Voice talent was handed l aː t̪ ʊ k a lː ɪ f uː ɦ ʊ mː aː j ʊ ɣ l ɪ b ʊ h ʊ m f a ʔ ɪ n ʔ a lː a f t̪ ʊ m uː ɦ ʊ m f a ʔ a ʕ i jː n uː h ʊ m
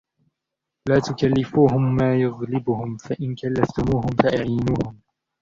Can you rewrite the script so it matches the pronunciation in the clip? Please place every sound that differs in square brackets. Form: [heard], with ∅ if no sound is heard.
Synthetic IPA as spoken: l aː t̪ ʊ k a lː ɪ f uː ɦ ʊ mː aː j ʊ ɣ l ɪ b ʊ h ʊ m f a ʔ ɪ n [k] a lː a f t̪ ʊ m uː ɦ ʊ m f a ʔ a ʕ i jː n uː h ʊ m